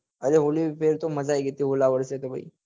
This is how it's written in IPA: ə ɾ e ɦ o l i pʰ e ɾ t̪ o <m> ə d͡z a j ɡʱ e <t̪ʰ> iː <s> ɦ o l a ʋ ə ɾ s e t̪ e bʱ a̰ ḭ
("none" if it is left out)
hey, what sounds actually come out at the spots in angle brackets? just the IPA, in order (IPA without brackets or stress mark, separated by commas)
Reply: m, t̪, none